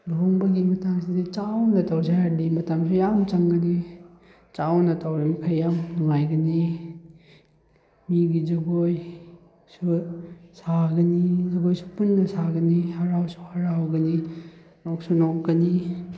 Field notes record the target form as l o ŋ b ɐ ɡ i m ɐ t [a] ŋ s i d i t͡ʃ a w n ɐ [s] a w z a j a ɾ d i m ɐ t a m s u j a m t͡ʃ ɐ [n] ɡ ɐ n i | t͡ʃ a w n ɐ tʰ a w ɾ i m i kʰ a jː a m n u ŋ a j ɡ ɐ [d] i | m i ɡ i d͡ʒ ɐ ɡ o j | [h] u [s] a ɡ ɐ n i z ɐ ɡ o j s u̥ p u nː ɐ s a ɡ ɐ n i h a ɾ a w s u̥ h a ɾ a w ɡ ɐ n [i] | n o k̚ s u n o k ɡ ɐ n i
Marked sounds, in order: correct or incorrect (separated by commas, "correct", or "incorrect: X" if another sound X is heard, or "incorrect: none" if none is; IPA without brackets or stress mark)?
correct, incorrect: t, incorrect: ŋ, incorrect: n, incorrect: s, correct, correct